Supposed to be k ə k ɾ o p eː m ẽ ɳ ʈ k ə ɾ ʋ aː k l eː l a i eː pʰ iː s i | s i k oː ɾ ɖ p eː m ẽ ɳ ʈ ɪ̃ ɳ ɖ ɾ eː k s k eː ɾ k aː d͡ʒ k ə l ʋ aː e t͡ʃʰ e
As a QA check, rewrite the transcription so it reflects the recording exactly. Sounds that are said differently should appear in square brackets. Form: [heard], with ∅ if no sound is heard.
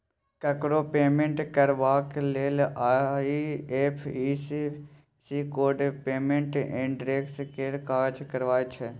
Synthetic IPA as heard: k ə k ɾ o p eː m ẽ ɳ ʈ k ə ɾ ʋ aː k l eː l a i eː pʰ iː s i | s i k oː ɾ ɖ p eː m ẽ ɳ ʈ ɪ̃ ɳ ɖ ɾ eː k s k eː ɾ k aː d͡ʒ k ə [ɾ] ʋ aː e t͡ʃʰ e